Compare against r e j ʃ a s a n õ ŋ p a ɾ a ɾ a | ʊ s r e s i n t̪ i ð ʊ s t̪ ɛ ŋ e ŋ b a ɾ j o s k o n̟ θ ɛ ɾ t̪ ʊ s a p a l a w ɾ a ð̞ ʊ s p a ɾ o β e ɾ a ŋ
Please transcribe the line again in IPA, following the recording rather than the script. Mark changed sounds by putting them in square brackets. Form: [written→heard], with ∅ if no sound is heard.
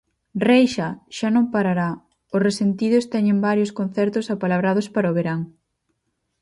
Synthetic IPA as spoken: r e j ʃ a [s→ʃ] a n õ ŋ p a ɾ a ɾ a | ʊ s r e s [i→e] n t̪ i ð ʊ s t̪ ɛ [ŋ→ɲ] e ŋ b a ɾ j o s k o n̟ θ ɛ ɾ t̪ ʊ s a p a l a [w→β] ɾ a ð̞ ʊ s p a ɾ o β e ɾ a ŋ

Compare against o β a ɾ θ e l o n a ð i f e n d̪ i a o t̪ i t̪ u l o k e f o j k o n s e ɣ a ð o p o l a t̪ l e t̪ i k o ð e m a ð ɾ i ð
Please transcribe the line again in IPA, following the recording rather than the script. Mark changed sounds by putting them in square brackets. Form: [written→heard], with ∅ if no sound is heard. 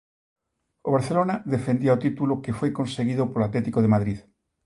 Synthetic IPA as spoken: o β a ɾ θ e l o n a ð [i→e] f e n d̪ i a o t̪ i t̪ u l o k e f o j k o n s e ɣ [a→i] ð o p o l a t̪ l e t̪ i k o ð e m a ð ɾ i ð

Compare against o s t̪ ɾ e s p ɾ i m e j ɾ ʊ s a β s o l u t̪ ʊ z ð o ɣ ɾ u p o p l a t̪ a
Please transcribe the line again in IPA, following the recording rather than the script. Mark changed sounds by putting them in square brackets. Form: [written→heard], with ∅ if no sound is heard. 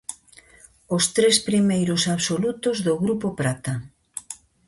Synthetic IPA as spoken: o s t̪ ɾ e s p ɾ i m e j ɾ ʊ s a β s o l u t̪ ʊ z ð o ɣ ɾ u p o p [l→ɾ] a t̪ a

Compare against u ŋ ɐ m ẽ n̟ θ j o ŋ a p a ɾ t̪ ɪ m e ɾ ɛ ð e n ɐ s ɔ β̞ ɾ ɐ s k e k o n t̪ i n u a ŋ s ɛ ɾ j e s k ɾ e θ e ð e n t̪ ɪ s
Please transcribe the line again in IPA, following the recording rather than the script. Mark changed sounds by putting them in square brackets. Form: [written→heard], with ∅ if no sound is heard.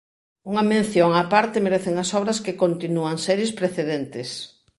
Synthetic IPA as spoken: u ŋ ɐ m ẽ n̟ θ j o ŋ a p a ɾ t̪ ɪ m e ɾ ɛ [ð→θ] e [n→ŋ] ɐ s ɔ β̞ ɾ ɐ s k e k o n t̪ i n u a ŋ s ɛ ɾ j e s [k→p] ɾ e θ e ð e n t̪ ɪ s

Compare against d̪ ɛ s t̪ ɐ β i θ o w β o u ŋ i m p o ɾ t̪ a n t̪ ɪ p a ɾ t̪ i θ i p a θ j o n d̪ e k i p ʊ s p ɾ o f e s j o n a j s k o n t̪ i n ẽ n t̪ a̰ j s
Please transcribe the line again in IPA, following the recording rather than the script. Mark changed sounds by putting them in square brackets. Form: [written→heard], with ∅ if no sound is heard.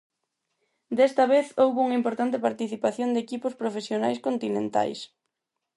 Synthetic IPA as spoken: d̪ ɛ s t̪ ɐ β [i→e] θ o w β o u ŋ i m p o ɾ t̪ a n t̪ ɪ p a ɾ t̪ i θ i p a θ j o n d̪ e k i p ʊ s p ɾ o f e s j o n a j s k o n t̪ i n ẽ n t̪ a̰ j s

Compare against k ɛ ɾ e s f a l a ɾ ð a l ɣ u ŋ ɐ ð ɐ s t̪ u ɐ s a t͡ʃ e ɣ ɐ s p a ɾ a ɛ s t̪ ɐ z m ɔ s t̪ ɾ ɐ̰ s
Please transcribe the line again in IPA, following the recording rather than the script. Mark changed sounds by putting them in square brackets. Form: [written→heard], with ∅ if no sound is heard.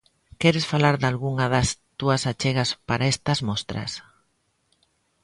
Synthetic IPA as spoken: k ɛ ɾ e s f a l a ɾ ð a l ɣ u ŋ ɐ ð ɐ s t̪ u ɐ s a t͡ʃ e ɣ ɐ s p a ɾ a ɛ s t̪ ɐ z m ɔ s t̪ ɾ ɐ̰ s

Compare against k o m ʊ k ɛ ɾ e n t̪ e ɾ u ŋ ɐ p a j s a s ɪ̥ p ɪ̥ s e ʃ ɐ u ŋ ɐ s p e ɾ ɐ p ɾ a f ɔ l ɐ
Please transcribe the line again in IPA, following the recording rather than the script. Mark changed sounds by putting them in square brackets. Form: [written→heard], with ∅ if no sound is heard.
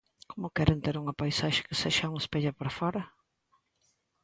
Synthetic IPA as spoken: k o m ʊ k ɛ ɾ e n t̪ e ɾ u ŋ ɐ p a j s a [s→ʃ] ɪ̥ [p→k] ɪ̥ s e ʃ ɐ u ŋ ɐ s p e [ɾ→ʎ] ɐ p ɾ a f ɔ [l→ɾ] ɐ

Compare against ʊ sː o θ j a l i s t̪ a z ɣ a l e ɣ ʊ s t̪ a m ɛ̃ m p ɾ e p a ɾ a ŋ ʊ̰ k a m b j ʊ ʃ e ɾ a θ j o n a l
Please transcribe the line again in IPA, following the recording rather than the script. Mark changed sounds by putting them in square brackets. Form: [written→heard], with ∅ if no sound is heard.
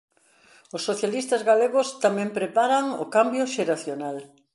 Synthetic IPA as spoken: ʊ sː o θ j a l i s t̪ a z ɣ a l e ɣ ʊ s t̪ a m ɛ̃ m p ɾ e p a ɾ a ŋ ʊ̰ k a m b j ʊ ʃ e ɾ a θ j o n a l

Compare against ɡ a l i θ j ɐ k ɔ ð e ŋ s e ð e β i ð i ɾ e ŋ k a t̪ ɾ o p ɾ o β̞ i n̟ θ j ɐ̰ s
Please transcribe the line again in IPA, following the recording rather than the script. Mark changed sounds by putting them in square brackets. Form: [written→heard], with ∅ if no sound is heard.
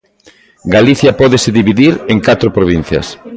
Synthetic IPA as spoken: ɡ a l i θ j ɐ [k→p] ɔ ð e [ŋ→∅] s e ð [e→i] β i ð i ɾ e ŋ k a t̪ ɾ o p ɾ o β̞ i n̟ θ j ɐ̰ s

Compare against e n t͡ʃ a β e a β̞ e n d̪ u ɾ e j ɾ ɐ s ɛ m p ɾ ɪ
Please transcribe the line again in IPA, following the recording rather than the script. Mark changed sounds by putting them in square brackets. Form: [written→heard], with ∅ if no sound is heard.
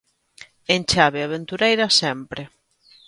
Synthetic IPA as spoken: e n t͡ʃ a β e a β̞ e n [d̪→t̪] u ɾ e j ɾ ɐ s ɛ m p ɾ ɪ

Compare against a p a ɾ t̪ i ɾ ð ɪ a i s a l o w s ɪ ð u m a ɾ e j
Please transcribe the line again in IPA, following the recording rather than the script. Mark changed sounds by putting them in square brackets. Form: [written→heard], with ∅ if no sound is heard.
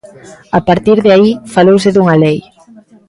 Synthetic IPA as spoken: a p a ɾ t̪ i ɾ ð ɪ a i [s→f] a l o w s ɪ ð u [m→ŋ] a [ɾ→l] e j

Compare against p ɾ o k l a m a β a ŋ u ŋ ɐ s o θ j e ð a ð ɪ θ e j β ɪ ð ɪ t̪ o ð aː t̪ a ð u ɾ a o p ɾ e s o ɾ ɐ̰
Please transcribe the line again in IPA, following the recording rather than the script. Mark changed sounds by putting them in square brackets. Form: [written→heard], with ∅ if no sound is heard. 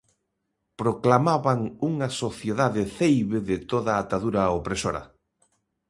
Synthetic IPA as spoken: p ɾ o k l a m a β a ŋ u ŋ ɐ s o θ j e ð a ð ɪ θ e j β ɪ ð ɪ t̪ o ð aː t̪ a ð u ɾ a o p ɾ e s o ɾ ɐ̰

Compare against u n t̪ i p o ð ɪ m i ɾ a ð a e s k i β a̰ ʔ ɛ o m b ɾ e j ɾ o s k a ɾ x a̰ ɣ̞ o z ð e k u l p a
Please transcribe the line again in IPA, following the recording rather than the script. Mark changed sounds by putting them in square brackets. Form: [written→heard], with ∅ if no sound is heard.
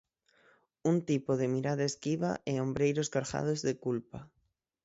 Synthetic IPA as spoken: u n t̪ i p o ð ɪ m i ɾ a ð a e s k i β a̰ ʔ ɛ o m b ɾ e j ɾ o s k a ɾ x a̰ [ɣ̞→ð̞] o z ð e k u l p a

